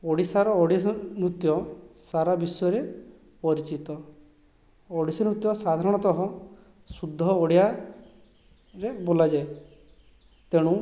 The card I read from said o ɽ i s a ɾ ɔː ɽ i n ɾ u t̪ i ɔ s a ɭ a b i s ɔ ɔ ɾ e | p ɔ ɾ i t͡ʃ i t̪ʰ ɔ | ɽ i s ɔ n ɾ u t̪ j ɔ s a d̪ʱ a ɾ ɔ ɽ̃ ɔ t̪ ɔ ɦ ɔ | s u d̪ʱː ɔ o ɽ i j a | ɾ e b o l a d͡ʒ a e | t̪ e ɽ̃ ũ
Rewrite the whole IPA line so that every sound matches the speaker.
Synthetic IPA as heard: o ɽ i s a ɾ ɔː ɽ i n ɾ u t̪ j ɔ s a ɾ a b i s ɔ ɔ ɾ e | p ɔ ɾ i t͡ʃ i t̪ ɔ | ɽ i s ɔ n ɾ u t̪ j ɔ s a d̪ʱ a ɾ ɔ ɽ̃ ɔ t̪ ɔ ɦ ɔ | s u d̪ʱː ɔ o ɽ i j a | ɾ e b o l a d͡ʒ a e | t̪ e ɽ̃ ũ